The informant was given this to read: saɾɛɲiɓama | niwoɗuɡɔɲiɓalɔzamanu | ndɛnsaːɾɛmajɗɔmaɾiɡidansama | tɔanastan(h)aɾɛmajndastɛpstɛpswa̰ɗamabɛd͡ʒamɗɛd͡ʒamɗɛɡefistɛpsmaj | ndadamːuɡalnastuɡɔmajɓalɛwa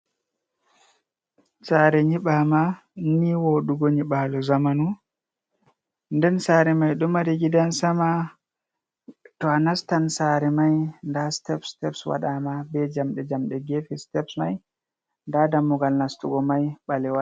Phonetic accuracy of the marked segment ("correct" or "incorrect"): incorrect